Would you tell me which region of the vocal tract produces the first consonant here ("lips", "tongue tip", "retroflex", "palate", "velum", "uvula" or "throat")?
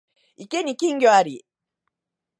velum